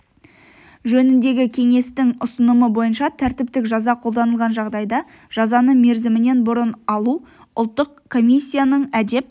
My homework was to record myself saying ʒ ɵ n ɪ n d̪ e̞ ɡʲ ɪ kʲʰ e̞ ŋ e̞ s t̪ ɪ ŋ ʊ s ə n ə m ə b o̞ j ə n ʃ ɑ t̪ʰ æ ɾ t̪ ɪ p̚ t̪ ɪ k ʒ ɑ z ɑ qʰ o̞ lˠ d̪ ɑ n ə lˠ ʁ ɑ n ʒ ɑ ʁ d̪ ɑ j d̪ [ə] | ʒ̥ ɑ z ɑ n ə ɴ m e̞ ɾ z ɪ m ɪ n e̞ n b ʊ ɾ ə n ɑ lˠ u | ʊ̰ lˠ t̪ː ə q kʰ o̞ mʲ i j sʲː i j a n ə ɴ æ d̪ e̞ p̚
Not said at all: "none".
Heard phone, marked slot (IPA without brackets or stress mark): ɑ